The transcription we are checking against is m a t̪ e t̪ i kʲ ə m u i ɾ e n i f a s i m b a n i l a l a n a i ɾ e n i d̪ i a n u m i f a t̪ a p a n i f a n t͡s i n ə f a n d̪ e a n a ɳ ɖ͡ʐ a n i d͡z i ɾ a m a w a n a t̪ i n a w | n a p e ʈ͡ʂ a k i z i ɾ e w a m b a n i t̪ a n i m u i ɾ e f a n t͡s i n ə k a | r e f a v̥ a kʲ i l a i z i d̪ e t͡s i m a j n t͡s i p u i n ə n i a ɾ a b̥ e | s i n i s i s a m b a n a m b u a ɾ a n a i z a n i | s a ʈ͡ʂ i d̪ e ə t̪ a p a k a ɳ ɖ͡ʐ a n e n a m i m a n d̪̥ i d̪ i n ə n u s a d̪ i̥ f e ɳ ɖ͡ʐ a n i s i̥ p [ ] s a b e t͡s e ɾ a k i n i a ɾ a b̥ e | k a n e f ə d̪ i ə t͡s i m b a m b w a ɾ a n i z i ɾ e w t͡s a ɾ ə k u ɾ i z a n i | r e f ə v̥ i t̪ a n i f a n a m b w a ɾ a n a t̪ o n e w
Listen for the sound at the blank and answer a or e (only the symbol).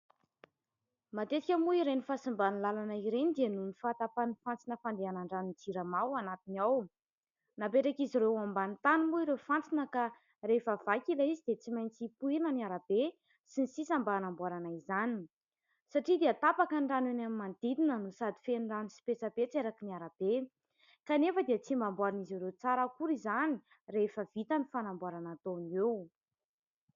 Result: e